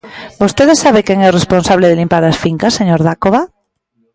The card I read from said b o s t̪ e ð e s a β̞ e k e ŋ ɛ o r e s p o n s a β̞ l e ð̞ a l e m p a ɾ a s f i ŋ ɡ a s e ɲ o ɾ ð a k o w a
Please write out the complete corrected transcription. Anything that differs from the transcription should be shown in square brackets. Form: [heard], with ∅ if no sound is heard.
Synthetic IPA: b o s t̪ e ð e s a β̞ e k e ŋ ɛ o r e s p o n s a β̞ l e ð̞ [e] l [i] m p a ɾ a s f i ŋ [k] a s e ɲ o ɾ ð a k o [β] a